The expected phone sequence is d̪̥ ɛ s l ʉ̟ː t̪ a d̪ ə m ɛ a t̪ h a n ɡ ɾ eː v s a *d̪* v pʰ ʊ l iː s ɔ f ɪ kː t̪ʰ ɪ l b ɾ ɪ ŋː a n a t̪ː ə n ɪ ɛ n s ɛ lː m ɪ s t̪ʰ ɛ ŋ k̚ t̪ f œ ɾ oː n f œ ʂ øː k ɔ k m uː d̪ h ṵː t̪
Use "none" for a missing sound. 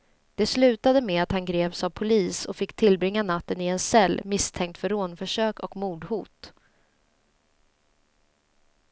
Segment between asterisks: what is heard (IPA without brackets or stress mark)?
none